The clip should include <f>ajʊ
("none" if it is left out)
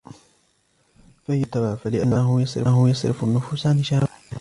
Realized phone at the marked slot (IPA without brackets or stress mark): f